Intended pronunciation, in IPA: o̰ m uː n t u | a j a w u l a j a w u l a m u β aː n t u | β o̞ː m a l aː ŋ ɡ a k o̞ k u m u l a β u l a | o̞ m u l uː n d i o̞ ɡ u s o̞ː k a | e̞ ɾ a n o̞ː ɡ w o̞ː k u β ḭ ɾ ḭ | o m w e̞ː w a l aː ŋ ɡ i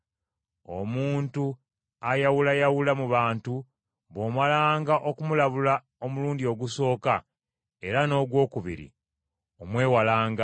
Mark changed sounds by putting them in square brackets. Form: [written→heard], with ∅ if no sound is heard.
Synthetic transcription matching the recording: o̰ m uː n t u | a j a w u l a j a w u l a m u β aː n t u | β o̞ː m a l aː ŋ ɡ a [k→ʔ] o̞ k u m u l a β u l a | o̞ m u l uː n d i o̞ ɡ u s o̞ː k a | e̞ ɾ a n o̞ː ɡ w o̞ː k u β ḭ ɾ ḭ | o m w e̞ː w a l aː ŋ ɡ [i→a]